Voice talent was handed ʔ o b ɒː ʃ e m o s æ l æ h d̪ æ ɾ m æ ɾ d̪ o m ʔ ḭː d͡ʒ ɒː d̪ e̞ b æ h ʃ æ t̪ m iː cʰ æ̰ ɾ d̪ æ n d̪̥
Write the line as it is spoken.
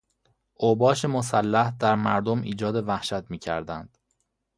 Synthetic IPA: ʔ o b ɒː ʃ e m o s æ lː æ h d̪ æ ɾ m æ ɾ d̪ o m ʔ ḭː d͡ʒ ɒː d̪ e̞ v æ h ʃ æ t̪ m iː cʰ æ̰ ɾ d̪ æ n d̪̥